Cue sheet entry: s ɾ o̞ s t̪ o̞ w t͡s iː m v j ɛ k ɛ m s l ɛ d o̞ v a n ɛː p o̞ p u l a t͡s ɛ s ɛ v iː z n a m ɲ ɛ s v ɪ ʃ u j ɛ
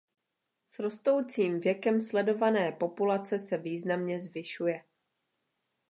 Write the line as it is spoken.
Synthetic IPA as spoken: s ɾ o̞ s t̪ o̞ w t͡s iː m v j ɛ k ɛ m s l ɛ d o̞ v a n ɛː p o̞ p u l a t͡s ɛ s ɛ v iː z n a m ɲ ɛ z v ɪ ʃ u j ɛ